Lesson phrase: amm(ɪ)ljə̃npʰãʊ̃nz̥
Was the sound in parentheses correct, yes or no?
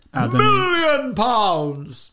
yes